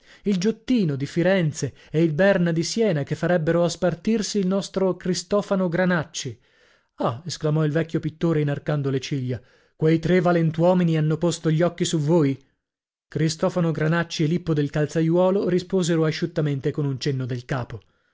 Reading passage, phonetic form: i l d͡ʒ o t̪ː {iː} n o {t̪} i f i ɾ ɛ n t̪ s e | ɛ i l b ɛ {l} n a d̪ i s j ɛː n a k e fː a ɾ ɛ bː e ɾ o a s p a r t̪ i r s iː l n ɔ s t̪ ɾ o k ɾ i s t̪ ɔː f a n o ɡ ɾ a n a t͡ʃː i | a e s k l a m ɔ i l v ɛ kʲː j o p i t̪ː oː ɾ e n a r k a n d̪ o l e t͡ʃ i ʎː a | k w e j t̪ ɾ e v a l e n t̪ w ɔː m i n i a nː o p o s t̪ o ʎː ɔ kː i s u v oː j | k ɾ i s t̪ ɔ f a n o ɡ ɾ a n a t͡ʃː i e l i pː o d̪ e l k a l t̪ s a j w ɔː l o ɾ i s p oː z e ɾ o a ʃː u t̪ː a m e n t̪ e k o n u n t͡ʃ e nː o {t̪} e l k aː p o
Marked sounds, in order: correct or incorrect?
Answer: correct, incorrect, incorrect, incorrect

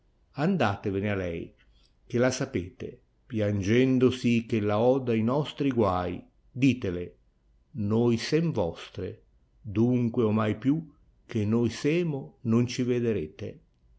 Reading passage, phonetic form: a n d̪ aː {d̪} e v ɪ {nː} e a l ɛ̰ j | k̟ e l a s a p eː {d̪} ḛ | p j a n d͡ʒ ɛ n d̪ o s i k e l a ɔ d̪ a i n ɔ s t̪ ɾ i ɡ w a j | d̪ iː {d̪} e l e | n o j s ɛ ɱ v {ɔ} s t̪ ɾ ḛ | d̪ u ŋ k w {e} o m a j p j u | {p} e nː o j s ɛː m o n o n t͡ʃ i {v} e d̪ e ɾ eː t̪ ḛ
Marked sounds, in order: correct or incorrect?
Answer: incorrect, incorrect, incorrect, incorrect, correct, correct, incorrect, correct

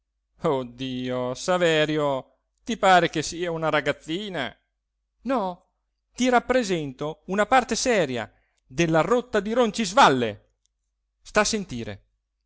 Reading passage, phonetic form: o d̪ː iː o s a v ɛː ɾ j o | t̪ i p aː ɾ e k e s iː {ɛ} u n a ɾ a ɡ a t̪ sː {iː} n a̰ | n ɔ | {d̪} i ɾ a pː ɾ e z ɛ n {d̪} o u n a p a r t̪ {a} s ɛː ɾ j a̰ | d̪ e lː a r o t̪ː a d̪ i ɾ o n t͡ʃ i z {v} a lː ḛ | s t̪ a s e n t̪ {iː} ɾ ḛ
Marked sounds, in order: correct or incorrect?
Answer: incorrect, correct, incorrect, incorrect, incorrect, correct, correct

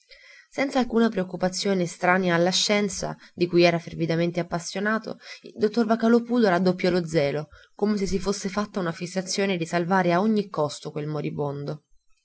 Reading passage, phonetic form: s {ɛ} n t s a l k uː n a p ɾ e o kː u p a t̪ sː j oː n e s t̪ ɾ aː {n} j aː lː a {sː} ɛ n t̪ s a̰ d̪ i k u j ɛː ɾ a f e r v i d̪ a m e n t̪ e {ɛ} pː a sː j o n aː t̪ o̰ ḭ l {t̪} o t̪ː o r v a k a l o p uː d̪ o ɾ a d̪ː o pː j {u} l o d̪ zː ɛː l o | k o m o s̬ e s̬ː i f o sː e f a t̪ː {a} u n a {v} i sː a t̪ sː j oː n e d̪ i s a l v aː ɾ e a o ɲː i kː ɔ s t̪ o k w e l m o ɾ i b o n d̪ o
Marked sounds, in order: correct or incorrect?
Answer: correct, correct, incorrect, incorrect, incorrect, incorrect, correct, incorrect

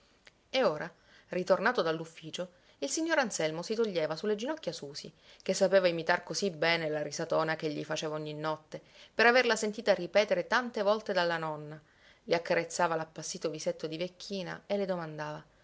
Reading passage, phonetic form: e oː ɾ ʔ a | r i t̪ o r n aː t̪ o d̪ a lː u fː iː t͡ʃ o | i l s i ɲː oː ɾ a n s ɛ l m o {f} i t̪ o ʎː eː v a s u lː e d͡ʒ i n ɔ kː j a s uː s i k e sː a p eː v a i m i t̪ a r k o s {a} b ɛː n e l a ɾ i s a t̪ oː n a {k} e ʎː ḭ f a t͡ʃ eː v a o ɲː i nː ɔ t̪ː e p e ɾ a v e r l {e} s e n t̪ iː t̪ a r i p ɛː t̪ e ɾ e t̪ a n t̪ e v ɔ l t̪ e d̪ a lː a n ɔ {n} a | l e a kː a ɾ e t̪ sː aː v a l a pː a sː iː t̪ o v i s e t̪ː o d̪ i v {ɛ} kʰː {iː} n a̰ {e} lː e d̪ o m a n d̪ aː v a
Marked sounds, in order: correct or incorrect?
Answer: incorrect, incorrect, correct, incorrect, incorrect, incorrect, correct, correct

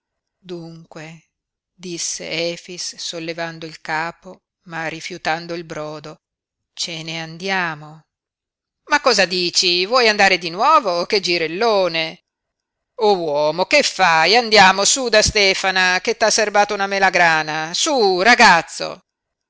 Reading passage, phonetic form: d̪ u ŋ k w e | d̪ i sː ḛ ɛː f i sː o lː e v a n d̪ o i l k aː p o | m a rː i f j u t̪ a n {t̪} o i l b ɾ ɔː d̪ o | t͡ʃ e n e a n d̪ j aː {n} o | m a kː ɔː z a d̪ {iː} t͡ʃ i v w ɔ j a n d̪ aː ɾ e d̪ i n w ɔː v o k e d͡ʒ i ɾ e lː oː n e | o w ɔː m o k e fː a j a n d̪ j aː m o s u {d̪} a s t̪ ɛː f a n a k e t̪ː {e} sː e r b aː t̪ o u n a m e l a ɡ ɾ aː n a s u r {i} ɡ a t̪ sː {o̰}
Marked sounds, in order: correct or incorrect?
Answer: incorrect, incorrect, correct, correct, incorrect, incorrect, correct

